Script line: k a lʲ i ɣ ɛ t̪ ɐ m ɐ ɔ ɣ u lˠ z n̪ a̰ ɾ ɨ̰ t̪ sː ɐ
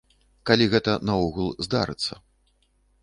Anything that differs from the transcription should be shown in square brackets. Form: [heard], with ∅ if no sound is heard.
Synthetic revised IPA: k a lʲ i ɣ ɛ t̪ ɐ [n] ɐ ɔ ɣ u lˠ z [d̪] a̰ ɾ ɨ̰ t̪ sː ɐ